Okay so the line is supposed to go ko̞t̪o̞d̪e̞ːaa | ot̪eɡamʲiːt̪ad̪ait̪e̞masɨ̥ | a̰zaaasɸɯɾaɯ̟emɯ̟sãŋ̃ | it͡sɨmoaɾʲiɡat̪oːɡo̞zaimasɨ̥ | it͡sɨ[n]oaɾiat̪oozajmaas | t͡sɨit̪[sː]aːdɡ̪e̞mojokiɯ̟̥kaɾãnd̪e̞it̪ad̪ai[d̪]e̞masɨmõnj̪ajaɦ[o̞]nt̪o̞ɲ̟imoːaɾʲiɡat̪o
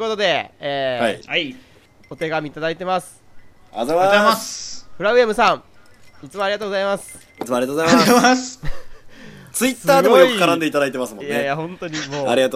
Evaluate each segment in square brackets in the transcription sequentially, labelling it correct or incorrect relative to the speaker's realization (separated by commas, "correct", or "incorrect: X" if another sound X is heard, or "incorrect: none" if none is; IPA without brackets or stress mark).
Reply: incorrect: m, correct, incorrect: t̪, incorrect: õ̞